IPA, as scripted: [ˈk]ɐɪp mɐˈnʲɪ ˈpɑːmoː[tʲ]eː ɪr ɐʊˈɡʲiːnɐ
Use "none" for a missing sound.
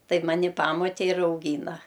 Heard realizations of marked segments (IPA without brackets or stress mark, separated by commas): t, tʲ